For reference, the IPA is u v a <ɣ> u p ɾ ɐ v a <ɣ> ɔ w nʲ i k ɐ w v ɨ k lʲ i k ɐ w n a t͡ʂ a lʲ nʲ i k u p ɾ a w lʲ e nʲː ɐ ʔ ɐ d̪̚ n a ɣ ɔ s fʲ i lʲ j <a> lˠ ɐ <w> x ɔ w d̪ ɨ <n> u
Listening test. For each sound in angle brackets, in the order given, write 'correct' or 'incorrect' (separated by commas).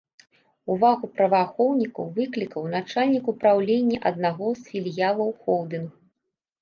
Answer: correct, incorrect, correct, correct, correct